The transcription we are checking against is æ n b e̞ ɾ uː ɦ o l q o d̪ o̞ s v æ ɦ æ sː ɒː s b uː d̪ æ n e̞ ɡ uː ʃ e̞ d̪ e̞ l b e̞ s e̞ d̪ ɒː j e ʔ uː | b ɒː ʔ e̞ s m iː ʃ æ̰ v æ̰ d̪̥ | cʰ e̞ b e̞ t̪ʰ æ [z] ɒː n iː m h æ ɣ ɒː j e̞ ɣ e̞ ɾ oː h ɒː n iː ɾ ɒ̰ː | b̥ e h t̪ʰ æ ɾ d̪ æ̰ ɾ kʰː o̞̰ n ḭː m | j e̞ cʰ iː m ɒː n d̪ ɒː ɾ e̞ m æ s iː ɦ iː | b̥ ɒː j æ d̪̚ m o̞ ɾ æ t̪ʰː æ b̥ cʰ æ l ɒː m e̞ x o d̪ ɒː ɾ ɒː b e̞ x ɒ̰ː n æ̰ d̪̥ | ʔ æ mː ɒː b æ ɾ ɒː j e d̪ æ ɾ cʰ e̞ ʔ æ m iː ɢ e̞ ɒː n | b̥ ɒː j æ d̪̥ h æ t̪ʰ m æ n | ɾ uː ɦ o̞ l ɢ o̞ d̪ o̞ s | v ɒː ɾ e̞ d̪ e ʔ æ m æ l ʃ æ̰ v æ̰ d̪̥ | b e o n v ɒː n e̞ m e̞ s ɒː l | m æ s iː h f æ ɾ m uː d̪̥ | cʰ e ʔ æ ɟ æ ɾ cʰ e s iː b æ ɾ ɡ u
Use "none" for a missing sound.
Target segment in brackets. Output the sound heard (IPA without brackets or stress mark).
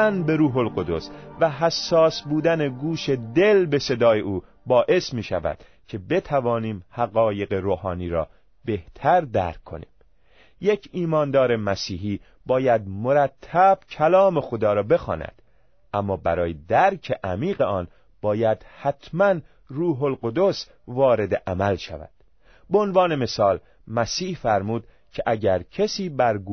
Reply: v